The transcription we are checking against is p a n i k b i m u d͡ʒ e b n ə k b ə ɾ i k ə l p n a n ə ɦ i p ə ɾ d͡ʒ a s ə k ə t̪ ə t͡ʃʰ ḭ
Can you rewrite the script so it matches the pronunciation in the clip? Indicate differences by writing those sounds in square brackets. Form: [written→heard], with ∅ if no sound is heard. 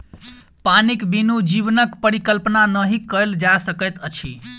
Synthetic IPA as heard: p a n i k b i [m→n] u d͡ʒ [e→i] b n ə k [b→p] ə ɾ i k ə l p n a n ə ɦ i [p→k] ə [ɾ→l] d͡ʒ a s ə k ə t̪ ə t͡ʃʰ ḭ